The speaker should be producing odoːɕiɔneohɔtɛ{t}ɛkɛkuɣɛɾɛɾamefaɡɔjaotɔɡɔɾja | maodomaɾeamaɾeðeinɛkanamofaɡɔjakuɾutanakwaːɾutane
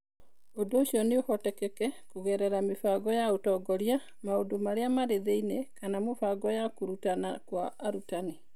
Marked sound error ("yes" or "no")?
yes